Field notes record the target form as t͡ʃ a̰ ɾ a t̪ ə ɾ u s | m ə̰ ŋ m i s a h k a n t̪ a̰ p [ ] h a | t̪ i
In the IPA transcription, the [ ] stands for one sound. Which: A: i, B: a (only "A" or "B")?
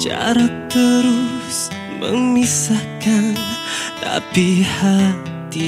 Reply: A